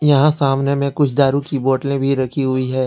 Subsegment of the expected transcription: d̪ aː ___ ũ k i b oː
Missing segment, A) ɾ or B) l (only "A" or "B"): A